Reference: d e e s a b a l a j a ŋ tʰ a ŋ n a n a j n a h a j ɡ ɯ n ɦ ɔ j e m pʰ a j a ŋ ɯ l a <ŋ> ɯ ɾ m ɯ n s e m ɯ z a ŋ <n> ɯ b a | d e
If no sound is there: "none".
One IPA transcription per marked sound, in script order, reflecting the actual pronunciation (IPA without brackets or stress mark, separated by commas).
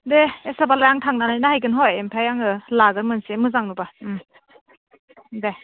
ɡ, n